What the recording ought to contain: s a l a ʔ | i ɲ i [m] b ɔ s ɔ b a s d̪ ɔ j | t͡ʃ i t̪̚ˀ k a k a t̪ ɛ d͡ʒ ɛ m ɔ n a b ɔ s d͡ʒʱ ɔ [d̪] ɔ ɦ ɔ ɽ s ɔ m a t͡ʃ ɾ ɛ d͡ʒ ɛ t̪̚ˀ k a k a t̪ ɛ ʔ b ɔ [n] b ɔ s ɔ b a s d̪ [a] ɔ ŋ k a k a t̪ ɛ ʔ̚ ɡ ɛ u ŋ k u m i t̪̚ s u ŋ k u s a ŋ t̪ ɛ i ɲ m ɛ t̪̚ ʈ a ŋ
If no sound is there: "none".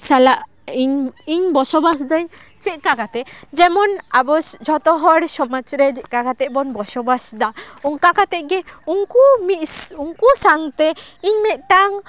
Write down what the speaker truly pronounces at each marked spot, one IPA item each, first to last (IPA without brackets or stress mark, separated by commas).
ɲ, t̪, n, a